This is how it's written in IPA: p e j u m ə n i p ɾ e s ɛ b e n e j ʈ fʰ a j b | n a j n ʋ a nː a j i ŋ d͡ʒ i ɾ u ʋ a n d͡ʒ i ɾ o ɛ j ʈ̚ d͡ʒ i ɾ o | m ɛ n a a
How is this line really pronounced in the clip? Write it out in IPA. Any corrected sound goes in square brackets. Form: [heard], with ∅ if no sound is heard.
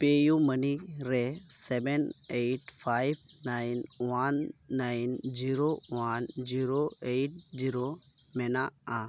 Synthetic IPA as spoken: p e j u m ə n i [∅] ɾ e s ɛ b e n e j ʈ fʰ a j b | n a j n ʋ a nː a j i [n] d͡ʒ i ɾ [o] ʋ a n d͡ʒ i ɾ o [e] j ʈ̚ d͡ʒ i ɾ o | m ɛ n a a